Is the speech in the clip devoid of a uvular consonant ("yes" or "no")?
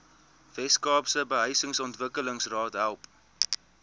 yes